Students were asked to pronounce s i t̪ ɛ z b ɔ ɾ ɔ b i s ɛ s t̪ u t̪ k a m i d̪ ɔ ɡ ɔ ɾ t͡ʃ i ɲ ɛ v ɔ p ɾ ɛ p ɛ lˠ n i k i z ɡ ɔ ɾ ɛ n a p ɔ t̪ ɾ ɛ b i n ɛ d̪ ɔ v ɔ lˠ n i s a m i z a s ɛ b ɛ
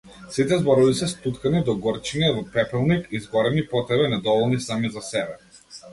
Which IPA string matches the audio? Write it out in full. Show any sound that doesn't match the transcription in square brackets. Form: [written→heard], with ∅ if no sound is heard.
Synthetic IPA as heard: s i t̪ ɛ z b ɔ ɾ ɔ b i s ɛ s t̪ u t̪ k a [m→n] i d̪ ɔ ɡ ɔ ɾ t͡ʃ i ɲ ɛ v ɔ p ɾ ɛ p ɛ lˠ n i k i z ɡ ɔ ɾ ɛ n [a→i] p ɔ t̪ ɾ ɛ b [i→ɛ] n ɛ d̪ ɔ v ɔ lˠ n i s a m i z a s ɛ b ɛ